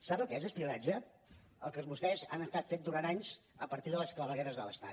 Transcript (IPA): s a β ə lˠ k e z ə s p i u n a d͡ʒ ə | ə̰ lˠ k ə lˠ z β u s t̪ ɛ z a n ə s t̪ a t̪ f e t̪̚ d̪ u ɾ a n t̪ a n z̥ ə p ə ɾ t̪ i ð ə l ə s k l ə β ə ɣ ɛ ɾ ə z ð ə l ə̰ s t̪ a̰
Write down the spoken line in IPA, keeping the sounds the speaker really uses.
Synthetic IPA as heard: s a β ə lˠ k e z ə s p i u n a d͡ʒ ə | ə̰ lˠ k ə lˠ z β u s t̪ ɛ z a n ə s t̪ a t̪ f e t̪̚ d̪ u ɾ a n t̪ a ɲ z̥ ə p ə ɾ t̪ i ð ə l ə s k l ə β ə ɣ ɛ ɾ ə z ð ə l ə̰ s t̪ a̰

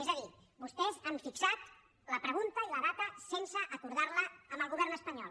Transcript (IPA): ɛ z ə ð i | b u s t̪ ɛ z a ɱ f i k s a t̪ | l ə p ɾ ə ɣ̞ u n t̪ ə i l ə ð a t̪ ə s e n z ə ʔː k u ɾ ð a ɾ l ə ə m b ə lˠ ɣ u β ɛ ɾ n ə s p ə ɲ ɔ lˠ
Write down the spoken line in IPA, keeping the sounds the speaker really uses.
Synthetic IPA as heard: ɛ z ə ð i | b u s t̪ ɛ z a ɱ f i k s a t̪ | l ə p ɾ ə ɣ̞ u n t̪ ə i l ə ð a t̪ ə s e n s ə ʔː k u ɾ ð a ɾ l ə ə m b ə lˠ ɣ u β ɛ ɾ n ə s p ə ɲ ɔ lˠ

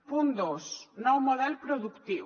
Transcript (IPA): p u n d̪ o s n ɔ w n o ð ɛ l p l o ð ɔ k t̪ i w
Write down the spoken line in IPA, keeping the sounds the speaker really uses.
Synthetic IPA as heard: p u n d̪ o s n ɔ w m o ð ɛ l p ɾ o ð u k t̪ i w

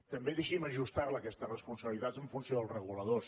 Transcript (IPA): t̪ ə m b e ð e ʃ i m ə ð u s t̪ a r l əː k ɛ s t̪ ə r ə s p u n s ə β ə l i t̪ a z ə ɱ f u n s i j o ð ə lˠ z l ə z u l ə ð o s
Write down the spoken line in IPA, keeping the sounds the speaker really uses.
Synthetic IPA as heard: t̪ ə m b e ð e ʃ i m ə ʒ u s t̪ a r l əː k ɛ s t̪ ə r ə s p u n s ə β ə l i t̪ a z ə ɱ f u n s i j o ð ə lˠ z r ə ɣ u l ə ð o s

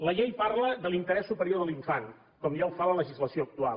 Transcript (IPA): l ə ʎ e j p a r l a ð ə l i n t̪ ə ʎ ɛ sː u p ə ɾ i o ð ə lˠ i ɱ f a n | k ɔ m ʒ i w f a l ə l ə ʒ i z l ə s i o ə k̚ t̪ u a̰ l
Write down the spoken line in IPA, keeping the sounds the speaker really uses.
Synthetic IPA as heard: l ə ʎ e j p a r l ə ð ə l i n t̪ ə ɾ ɛ sː u p ə ɾ i o ð ə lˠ i ɱ f a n | k ɔ m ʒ a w f a l ə l ə ʒ i z l ə s i o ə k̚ t̪ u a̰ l

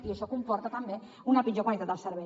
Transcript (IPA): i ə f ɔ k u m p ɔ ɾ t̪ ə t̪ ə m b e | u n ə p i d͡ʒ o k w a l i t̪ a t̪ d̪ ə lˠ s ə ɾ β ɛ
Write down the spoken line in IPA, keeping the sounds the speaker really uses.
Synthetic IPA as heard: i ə ʃ ɔ k u m p ɔ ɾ t̪ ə t̪ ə m b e | u n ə p i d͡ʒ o k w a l i t̪ a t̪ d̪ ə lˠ s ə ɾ β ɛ

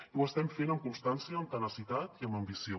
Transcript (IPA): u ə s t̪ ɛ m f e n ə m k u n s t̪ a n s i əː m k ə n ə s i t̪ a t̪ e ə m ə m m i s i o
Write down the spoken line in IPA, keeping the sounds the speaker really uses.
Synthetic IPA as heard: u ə s t̪ ɛ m f e n ə m k u n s t̪ a n s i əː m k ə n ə s i t̪ a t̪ i ə m ə m b i s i o

